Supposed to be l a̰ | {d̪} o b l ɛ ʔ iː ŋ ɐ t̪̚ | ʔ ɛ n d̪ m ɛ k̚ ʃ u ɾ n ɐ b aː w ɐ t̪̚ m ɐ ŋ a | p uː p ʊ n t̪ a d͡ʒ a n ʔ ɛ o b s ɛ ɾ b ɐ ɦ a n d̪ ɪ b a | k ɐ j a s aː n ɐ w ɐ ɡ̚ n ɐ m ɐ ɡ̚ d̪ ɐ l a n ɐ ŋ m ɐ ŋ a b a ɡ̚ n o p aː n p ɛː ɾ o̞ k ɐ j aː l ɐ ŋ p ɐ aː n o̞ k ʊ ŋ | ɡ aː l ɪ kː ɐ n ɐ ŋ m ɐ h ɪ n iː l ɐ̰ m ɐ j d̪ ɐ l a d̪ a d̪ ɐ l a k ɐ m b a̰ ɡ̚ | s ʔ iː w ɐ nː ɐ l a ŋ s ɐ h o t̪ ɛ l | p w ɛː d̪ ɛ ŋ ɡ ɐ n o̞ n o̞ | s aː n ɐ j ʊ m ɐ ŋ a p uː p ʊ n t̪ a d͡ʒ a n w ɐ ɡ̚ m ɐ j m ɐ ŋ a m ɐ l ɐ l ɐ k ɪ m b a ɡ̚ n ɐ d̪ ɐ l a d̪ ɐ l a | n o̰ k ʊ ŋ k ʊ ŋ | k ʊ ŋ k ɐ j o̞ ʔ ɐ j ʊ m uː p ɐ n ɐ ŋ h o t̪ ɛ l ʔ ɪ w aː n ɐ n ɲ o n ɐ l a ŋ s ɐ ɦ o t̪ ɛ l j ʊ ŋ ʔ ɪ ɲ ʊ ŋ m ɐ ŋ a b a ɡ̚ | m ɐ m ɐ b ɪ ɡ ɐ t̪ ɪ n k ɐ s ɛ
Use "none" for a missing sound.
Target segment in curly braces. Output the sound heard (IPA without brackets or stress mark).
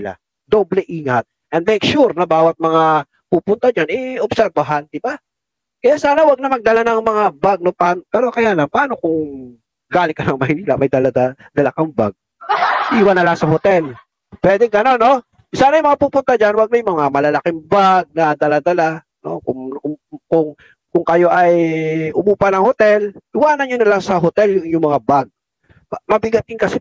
d̪